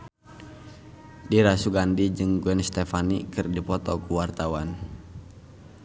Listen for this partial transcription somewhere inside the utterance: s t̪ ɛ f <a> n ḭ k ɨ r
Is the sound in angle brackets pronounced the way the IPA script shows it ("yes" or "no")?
yes